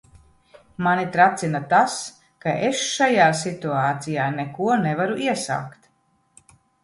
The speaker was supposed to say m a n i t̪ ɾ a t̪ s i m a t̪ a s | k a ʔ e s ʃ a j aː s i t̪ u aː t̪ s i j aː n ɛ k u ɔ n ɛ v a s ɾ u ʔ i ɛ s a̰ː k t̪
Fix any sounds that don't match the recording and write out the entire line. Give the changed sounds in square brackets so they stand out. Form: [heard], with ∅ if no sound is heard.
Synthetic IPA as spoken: m a n i t̪ ɾ a t̪ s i [n] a t̪ a s | k a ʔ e s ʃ a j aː s i t̪ u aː t̪ s i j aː n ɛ k u ɔ n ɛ v a [∅] ɾ u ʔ i ɛ s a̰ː k t̪